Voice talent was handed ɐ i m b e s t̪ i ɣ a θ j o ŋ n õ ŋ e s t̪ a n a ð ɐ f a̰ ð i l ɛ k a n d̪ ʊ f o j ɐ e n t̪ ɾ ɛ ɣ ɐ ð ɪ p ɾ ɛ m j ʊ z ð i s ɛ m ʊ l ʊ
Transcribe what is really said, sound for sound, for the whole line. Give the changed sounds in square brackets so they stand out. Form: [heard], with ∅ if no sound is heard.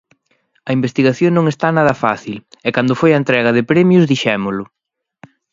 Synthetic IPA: ɐ i m b e s t̪ i ɣ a θ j o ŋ n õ ŋ e s t̪ a n a ð ɐ f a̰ [θ] i l ɛ k a n d̪ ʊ f o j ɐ e n t̪ ɾ ɛ ɣ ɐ ð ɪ p ɾ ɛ m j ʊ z ð i [ʃ] ɛ m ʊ l ʊ